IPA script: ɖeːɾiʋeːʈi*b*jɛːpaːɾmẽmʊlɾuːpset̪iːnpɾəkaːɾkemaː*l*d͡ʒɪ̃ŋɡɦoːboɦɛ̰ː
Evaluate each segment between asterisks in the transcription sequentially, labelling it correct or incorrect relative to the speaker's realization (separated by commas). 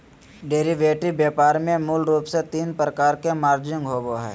correct, incorrect